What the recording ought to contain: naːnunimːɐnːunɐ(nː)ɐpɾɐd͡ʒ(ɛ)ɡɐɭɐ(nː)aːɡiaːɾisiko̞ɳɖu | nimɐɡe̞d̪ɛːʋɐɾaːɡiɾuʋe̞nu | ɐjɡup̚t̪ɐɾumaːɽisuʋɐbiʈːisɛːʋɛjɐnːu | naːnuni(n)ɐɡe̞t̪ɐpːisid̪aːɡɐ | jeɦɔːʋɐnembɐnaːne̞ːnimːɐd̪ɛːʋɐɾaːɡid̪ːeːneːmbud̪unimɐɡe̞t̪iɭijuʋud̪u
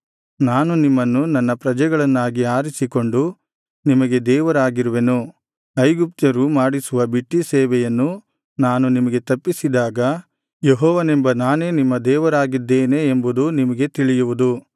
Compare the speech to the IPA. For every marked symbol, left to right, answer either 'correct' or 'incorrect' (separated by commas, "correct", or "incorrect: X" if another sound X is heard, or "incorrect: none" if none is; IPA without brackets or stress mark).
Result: correct, correct, correct, incorrect: m